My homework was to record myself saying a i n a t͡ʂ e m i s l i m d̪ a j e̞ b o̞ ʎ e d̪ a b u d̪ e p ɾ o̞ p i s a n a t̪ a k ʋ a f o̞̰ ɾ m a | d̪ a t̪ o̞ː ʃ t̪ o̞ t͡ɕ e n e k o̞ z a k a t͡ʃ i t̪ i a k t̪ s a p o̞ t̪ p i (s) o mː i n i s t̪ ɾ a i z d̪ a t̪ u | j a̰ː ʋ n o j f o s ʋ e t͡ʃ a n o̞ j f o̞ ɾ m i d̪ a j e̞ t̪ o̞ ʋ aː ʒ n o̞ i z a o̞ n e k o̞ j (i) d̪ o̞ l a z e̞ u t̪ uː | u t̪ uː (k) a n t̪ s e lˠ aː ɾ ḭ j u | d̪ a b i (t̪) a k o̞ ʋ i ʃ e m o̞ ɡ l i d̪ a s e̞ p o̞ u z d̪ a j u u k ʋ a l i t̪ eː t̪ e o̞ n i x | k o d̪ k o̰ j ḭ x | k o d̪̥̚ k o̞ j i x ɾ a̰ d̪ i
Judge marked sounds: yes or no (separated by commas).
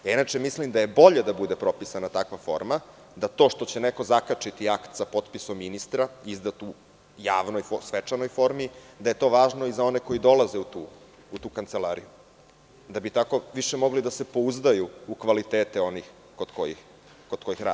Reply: yes, yes, yes, yes